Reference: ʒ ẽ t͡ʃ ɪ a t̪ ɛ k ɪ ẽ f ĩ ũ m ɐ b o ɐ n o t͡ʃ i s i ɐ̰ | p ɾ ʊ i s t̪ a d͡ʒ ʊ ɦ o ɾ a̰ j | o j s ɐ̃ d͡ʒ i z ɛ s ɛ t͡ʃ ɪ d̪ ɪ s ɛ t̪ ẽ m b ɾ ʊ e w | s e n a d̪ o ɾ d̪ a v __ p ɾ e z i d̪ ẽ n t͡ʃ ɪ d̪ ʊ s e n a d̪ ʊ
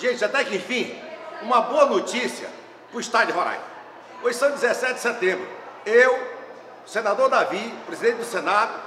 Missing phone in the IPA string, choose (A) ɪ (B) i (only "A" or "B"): B